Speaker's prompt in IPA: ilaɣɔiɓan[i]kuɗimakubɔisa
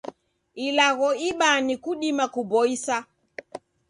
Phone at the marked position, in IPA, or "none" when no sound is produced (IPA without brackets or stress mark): i